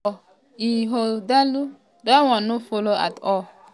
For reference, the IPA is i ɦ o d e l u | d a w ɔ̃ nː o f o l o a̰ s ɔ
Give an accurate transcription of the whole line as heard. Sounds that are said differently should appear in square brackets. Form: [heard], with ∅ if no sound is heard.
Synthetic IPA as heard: i ɦ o d [a] l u | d a w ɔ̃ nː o f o l o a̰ [t] ɔ